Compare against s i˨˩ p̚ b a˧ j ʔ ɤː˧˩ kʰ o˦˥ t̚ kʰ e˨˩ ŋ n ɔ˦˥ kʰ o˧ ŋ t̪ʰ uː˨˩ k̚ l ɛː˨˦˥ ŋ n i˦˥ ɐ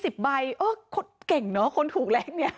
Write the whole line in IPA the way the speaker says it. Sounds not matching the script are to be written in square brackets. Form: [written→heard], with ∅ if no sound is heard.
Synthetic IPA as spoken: s i˨˩ p̚ b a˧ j ʔ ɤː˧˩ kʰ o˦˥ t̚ [kʰ→k] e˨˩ ŋ n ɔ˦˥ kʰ o˧ [ŋ→n] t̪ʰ uː˨˩ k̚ l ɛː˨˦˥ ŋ n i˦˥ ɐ